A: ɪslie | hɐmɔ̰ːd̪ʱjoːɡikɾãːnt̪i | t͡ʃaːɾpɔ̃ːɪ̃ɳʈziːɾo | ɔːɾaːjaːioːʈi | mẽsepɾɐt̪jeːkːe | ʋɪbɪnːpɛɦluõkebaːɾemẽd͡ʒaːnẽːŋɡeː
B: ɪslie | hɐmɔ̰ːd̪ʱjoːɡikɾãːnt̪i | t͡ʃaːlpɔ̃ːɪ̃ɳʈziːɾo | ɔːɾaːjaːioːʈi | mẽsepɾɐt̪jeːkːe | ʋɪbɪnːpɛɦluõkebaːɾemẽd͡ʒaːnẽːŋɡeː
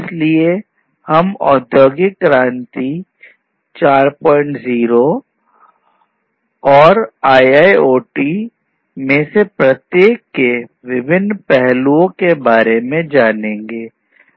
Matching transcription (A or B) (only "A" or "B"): A